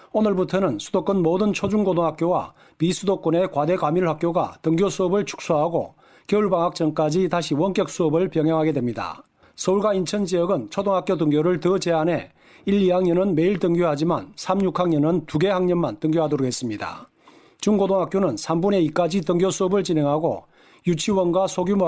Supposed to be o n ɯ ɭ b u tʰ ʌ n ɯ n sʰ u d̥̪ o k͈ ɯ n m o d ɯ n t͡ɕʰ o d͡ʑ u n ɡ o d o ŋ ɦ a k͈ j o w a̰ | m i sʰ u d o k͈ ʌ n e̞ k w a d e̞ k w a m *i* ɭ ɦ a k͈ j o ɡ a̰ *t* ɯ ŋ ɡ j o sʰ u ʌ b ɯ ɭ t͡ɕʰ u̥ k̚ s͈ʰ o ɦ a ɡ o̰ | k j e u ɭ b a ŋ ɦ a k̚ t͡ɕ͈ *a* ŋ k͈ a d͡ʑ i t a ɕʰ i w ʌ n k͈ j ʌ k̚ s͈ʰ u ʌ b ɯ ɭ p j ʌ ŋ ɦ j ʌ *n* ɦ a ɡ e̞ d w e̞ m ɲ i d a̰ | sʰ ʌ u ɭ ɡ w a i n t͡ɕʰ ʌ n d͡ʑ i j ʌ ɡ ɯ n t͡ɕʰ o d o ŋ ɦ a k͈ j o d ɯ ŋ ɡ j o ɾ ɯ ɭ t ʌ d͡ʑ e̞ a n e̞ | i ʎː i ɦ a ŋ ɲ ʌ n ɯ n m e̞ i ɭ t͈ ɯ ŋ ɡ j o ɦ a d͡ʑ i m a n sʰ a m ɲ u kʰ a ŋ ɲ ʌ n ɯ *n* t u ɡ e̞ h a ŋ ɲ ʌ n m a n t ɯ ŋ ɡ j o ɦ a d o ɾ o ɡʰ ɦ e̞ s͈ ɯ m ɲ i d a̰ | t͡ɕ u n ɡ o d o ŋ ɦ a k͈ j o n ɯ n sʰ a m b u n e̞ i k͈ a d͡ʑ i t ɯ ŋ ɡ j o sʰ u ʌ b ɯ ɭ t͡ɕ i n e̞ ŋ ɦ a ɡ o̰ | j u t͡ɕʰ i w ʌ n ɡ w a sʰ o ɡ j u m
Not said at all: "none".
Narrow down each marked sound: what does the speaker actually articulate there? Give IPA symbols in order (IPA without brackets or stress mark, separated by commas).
i, t, ʌ, ŋ, n